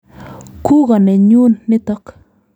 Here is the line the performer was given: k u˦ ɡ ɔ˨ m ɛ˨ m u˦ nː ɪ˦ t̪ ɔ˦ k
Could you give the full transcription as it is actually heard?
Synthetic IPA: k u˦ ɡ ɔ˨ n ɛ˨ ɲ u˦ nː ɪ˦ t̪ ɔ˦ k